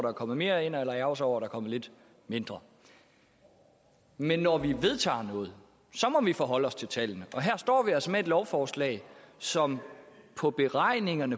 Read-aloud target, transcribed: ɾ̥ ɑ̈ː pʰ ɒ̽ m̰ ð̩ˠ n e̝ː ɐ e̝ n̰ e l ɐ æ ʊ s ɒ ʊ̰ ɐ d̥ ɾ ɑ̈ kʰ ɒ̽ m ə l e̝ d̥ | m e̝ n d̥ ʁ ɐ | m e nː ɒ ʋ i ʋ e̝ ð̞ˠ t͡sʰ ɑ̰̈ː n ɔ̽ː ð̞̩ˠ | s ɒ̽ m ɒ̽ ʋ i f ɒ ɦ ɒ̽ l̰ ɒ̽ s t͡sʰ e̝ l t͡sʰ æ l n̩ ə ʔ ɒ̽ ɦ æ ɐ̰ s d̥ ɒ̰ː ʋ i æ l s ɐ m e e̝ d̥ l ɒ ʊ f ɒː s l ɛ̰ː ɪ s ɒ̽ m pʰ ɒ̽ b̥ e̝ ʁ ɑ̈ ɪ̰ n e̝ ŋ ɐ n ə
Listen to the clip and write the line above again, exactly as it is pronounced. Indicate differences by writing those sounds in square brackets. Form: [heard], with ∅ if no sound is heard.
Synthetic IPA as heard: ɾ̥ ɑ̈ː [kʰ] ɒ̽ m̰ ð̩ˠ [m] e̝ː ɐ e̝ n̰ e l ɐ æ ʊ s ɒ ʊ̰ ɐ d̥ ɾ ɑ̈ kʰ ɒ̽ m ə l e̝ d̥ | m e̝ n d̥ ʁ ɐ | m e nː ɒ ʋ i ʋ e̝ ð̞ˠ t͡sʰ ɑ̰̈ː n ɔ̽ː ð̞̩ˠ | s ɒ̽ m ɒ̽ ʋ i f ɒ ɦ ɒ̽ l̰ ɒ̽ s t͡sʰ e̝ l t͡sʰ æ l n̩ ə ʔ ɒ̽ ɦ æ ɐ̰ s d̥ ɒ̰ː ʋ i æ l s [ə] m e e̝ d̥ l ɒ ʊ f ɒː s l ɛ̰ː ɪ s ɒ̽ m pʰ ɒ̽ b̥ e̝ ʁ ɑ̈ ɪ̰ n e̝ ŋ ɐ n ə

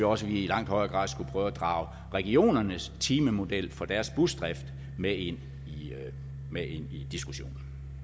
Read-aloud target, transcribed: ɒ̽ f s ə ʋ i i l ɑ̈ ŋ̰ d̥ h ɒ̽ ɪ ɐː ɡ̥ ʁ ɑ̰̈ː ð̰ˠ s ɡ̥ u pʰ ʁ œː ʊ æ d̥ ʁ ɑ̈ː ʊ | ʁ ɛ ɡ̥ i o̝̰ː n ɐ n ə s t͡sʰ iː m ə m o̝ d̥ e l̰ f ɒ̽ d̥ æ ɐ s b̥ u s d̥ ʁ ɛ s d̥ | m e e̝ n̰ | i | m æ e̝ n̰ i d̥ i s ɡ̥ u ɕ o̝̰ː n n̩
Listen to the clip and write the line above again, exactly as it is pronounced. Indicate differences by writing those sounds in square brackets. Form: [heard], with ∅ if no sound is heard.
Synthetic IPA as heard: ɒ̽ [∅] s ə ʋ i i l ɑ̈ ŋ̰ d̥ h ɒ̽ ɪ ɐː ɡ̥ ʁ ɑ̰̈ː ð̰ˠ s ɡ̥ u pʰ ʁ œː ʊ æ d̥ ʁ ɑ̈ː ʊ | ʁ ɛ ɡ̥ i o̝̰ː n ɐ n ə s t͡sʰ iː m ə m o̝ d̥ e l̰ f ɒ̽ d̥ æ ɐ s b̥ u s d̥ ʁ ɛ [f] d̥ | m e e̝ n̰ | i | m [e] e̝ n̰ i d̥ i s ɡ̥ u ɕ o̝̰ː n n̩

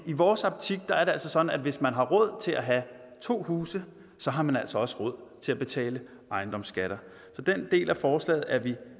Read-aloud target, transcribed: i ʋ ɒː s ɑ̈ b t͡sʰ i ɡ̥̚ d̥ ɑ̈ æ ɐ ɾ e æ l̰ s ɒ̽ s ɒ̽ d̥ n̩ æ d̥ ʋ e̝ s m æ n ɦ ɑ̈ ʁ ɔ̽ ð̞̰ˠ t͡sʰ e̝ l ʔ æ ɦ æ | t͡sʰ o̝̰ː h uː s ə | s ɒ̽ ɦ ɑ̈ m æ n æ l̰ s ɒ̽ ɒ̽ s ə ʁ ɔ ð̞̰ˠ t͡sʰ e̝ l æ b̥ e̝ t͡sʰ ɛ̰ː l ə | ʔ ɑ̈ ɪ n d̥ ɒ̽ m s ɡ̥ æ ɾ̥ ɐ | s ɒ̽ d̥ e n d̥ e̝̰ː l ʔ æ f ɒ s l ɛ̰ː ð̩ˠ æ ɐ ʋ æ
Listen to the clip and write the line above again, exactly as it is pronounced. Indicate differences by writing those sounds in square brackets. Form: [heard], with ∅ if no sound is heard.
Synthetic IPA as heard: i ʋ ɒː s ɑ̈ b t͡sʰ i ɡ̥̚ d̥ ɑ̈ æ ɐ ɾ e æ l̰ s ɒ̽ s ɒ̽ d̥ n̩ æ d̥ ʋ e̝ s m æ n ɦ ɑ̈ ʁ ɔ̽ ð̞̰ˠ t͡sʰ e̝ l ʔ æ ɦ æ | t͡sʰ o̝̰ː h uː s ə | s ɒ̽ ɦ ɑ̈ m æ n æ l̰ s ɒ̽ ɒ̽ s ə ʁ ɔ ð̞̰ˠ t͡sʰ e̝ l æ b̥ e̝ t͡sʰ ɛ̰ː l ə | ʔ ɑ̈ ɪ n d̥ ɒ̽ m s ɡ̥ æ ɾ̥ ɐ | s ɒ̽ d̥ e n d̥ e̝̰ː l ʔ æ f [ɒː] s l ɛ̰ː ð̩ˠ æ ɐ ʋ [i]

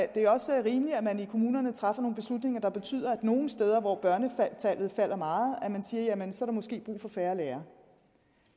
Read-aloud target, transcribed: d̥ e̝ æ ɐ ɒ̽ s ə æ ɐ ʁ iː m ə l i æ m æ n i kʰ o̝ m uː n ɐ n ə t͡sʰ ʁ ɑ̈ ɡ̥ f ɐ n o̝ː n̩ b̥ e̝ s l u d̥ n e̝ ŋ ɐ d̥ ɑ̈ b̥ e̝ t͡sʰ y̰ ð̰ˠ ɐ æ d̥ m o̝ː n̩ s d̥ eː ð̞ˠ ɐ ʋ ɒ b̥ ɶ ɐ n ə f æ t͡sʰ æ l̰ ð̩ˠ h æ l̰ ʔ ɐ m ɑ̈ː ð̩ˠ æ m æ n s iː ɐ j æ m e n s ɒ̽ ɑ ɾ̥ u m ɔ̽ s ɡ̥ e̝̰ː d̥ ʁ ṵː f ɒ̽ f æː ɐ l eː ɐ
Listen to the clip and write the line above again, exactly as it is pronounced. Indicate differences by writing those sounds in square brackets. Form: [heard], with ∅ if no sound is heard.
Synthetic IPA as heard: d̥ e̝ æ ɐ ɒ̽ s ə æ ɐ ʁ iː m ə l i æ m æ n i kʰ o̝ m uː n ɐ n ə t͡sʰ ʁ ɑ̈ [∅] f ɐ n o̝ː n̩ b̥ e̝ s l u d̥ n e̝ ŋ ɐ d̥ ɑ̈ b̥ e̝ t͡sʰ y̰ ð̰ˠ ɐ æ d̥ [n] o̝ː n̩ s d̥ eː ð̞ˠ ɐ ʋ ɒ b̥ ɶ ɐ n ə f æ t͡sʰ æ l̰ ð̩ˠ [f] æ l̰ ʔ ɐ m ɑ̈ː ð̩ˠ æ m æ n s iː ɐ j æ m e n s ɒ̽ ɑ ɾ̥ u m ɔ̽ s ɡ̥ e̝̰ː [b̥] ʁ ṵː f ɒ̽ f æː ɐ l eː ɐ

